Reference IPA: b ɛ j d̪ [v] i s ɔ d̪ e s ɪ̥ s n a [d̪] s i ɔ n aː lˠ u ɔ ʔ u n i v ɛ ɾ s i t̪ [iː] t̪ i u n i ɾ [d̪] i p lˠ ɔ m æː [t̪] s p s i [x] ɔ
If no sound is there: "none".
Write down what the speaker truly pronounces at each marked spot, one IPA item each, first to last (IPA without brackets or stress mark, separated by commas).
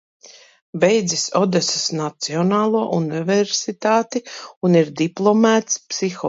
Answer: z, t̪, aː, d̪, t̪, x